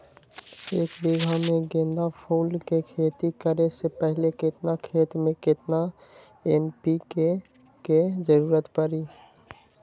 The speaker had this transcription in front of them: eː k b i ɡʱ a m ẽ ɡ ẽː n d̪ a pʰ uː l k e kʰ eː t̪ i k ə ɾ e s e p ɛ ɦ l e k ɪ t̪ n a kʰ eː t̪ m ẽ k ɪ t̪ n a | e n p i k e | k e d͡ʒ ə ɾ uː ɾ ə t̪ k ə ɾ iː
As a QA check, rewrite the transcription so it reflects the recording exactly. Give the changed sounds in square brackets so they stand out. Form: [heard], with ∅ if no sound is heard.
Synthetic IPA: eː k b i ɡʱ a m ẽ ɡ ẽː n d̪ a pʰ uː l k e kʰ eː t̪ i k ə ɾ e s e p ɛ ɦ l e k ɪ t̪ n a kʰ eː t̪ m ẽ k ɪ t̪ n a | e n p i k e | k e d͡ʒ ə ɾ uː ɾ ə t̪ [p] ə ɾ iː